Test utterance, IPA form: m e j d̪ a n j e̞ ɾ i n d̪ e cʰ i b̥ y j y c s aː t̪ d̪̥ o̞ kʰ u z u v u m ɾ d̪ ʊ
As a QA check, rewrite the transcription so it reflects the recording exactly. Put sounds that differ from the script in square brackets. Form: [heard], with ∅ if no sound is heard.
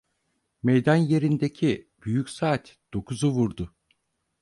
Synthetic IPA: m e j d̪ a n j e̞ ɾ i n d̪ e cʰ i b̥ y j y c s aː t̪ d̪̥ o̞ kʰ u z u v u [∅] ɾ d̪ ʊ